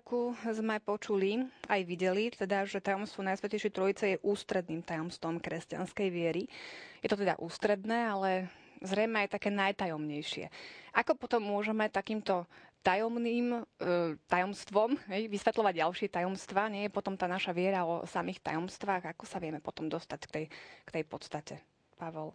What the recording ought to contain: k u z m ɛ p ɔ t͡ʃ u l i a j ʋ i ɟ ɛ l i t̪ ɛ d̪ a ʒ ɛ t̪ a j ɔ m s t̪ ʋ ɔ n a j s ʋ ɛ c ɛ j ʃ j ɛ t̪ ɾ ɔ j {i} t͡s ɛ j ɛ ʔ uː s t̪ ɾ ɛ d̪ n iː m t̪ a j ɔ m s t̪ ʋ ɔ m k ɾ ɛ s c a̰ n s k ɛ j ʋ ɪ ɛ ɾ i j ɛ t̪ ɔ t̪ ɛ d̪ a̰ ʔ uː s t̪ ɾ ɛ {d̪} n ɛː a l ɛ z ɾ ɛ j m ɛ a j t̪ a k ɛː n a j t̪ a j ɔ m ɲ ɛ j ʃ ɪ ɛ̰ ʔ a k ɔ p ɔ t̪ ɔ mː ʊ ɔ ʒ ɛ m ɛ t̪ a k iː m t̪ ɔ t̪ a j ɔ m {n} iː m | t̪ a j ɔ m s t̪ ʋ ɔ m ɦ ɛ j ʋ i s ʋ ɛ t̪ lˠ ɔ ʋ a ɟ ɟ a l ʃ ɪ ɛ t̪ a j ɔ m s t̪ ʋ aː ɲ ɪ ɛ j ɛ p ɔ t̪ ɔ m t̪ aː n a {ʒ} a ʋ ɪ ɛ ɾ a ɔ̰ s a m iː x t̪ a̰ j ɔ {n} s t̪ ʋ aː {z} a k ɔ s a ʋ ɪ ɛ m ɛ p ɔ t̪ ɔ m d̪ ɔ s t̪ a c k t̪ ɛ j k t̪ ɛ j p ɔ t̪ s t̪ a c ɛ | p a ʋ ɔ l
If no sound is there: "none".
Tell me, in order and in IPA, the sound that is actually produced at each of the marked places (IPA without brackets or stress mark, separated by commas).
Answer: i, d̪, n, ʃ, m, ɣ